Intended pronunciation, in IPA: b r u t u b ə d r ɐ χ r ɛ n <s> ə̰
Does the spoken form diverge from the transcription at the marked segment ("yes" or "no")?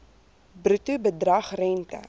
yes